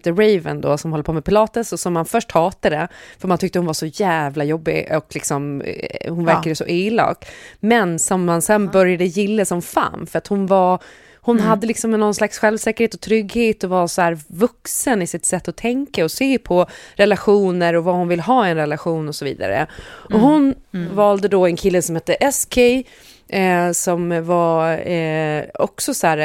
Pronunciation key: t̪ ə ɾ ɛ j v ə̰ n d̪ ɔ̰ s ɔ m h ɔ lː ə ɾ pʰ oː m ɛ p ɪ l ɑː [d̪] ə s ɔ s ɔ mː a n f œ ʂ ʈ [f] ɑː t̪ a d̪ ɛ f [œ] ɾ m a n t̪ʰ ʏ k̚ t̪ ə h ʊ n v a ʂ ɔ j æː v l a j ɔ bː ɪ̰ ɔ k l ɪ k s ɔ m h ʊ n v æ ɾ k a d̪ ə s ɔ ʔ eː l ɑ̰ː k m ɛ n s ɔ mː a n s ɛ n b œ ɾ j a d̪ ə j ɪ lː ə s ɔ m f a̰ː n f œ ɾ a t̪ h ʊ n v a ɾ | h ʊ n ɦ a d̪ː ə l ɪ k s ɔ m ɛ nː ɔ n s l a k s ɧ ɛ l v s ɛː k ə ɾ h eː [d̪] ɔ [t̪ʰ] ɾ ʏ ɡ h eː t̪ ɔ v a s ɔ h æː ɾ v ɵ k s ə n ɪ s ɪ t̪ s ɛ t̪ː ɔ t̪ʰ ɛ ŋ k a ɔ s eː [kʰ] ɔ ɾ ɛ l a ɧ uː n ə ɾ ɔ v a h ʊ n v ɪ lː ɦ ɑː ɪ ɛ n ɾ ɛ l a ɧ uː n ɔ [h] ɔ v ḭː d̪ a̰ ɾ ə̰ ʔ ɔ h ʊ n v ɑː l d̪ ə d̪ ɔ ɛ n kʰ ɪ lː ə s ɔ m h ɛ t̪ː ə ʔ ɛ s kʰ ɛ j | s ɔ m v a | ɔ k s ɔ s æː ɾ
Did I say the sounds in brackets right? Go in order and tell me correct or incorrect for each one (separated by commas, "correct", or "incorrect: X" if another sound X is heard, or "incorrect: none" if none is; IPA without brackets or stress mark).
incorrect: t̪, incorrect: h, correct, incorrect: t̪, correct, incorrect: pʰ, incorrect: s